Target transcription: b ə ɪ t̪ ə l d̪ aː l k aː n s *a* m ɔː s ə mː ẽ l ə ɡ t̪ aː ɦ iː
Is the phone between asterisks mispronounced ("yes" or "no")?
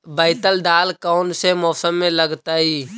yes